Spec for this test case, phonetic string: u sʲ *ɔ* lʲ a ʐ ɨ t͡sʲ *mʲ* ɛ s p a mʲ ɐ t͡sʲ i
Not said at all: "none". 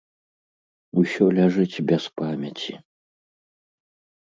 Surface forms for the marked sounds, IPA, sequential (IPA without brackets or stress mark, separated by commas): ɔ, bʲ